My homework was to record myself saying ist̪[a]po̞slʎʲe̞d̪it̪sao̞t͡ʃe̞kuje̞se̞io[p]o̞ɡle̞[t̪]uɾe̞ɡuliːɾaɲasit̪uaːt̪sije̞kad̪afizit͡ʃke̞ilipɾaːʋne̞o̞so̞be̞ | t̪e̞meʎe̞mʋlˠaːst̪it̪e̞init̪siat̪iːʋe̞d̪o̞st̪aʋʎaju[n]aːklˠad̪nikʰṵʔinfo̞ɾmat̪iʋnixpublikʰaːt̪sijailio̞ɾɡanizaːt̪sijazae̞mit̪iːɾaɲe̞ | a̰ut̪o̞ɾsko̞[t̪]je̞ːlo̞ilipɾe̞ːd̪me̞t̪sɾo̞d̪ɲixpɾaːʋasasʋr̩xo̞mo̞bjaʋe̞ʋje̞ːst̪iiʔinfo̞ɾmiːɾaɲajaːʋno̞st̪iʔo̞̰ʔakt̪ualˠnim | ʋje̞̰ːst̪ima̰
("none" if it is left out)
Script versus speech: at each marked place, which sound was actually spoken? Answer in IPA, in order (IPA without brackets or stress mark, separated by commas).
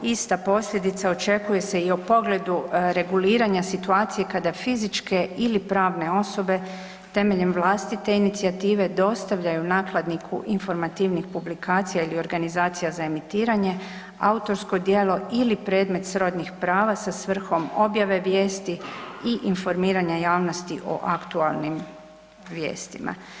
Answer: a, p, d̪, n, d̪